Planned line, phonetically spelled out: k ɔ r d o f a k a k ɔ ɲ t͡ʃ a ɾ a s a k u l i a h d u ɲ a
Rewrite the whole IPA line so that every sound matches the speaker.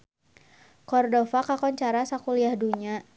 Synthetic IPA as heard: k ɔ r d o f a k a k ɔ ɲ t͡ʃ a ɾ a s a k u l i a h d u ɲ a